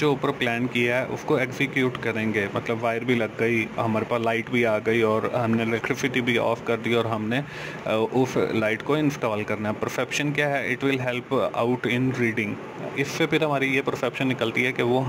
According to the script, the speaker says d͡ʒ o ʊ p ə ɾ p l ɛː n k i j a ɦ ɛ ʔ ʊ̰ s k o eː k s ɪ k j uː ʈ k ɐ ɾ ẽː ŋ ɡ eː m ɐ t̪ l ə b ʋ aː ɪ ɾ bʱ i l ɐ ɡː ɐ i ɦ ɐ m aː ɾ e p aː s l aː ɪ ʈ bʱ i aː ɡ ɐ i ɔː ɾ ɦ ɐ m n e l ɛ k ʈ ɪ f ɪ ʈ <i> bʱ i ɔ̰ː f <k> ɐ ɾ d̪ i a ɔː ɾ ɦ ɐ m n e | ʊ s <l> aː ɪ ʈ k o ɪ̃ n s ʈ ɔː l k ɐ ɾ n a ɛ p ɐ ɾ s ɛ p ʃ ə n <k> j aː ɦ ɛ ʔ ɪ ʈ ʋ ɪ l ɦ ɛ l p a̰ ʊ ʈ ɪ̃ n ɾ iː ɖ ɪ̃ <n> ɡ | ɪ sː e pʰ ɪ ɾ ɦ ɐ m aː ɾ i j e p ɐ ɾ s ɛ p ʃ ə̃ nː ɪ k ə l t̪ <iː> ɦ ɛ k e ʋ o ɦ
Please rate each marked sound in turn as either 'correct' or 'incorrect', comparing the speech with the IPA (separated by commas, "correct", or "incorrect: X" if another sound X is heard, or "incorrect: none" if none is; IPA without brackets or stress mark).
correct, correct, correct, correct, incorrect: ŋ, incorrect: i